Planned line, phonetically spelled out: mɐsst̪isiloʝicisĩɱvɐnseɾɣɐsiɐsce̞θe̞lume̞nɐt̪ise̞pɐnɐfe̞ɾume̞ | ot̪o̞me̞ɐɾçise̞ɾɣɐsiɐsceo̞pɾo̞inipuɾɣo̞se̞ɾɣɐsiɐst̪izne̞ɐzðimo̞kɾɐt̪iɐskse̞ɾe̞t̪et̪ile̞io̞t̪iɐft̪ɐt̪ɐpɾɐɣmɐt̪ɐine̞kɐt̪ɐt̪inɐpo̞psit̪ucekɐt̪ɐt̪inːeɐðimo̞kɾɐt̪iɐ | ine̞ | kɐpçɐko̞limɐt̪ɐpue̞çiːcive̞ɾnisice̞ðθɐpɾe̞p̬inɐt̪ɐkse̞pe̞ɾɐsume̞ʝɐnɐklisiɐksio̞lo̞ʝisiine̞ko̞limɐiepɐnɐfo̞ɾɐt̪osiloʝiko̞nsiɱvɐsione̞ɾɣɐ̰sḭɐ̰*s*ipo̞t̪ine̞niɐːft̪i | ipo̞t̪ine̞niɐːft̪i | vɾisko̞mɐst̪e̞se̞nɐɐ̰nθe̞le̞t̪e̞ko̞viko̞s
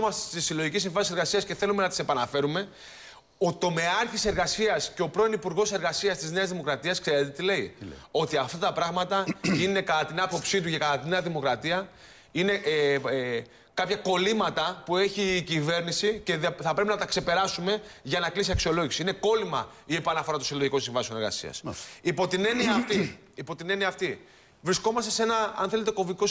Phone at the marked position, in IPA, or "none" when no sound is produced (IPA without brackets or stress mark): s